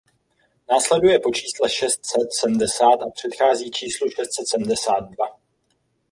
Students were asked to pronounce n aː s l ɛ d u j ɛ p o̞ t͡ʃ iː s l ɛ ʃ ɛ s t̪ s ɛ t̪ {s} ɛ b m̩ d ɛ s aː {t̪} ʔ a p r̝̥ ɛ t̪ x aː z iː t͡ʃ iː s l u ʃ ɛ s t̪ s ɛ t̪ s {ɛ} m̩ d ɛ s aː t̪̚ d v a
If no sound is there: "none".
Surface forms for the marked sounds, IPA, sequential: s, t̪, ɛ

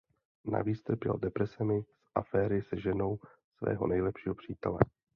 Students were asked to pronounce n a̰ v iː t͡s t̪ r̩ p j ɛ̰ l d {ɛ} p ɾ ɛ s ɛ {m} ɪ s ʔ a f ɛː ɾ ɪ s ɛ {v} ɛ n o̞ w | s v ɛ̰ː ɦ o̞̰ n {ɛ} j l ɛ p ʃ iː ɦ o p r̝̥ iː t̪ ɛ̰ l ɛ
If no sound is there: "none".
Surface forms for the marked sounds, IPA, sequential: ɛ, m, ʒ, ɛ

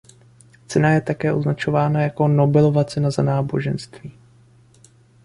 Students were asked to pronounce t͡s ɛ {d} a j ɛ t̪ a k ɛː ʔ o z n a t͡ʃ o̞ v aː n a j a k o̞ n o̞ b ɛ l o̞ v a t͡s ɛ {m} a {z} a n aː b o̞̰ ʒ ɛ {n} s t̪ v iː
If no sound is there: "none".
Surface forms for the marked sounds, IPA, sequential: n, n, z, n

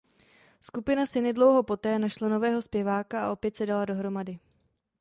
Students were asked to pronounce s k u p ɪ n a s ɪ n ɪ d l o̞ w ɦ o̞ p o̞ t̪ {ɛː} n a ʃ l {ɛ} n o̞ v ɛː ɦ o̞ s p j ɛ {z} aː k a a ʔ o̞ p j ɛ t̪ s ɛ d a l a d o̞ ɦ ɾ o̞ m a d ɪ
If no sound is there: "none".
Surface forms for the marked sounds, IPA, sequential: ɛː, a, v

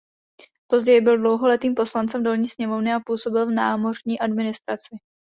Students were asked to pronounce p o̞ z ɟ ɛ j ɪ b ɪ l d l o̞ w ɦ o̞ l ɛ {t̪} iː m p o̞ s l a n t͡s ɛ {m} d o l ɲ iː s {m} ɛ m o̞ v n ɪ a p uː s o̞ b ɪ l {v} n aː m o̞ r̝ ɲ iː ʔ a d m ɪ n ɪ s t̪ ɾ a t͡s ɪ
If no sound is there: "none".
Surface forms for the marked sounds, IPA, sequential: t̪, m, ɲ, v

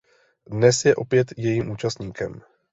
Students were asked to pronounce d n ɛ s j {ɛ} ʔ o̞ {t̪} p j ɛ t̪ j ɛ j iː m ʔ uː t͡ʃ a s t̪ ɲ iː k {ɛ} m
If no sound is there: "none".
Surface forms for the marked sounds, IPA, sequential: ɛ, none, ɛ

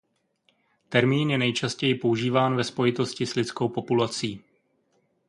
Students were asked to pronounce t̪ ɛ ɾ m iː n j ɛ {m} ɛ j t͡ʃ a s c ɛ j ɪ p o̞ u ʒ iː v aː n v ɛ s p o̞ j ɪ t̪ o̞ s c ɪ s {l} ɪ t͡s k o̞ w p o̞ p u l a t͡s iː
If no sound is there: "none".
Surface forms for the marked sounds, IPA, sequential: n, l

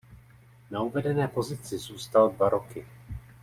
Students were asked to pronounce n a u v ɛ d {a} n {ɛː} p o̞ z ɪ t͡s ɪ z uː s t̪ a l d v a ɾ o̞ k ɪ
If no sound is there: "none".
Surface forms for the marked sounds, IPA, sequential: ɛ, ɛː

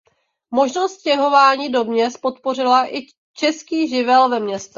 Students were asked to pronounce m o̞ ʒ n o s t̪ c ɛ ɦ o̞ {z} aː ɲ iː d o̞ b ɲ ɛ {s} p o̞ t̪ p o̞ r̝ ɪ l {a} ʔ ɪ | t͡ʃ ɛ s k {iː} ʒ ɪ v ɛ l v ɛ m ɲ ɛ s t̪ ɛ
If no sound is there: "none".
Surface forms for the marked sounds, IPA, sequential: v, s, a, iː

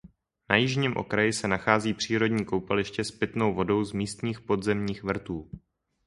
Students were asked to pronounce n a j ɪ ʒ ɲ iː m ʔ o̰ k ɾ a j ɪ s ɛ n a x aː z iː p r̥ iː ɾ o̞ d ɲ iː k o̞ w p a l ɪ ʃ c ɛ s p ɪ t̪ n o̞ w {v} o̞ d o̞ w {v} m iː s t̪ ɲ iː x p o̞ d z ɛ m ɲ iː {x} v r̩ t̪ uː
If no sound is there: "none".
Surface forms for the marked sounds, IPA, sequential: v, z, x

